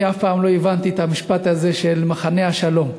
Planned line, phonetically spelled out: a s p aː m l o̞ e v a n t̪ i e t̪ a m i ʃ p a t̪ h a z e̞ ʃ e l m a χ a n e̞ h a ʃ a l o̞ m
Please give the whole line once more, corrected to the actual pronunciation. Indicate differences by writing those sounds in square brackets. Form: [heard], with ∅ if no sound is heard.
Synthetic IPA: a [f] p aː m l o̞ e v a n t̪ i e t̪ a m i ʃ p a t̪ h a z e̞ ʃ e l m a χ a n e̞ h a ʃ a l o̞ m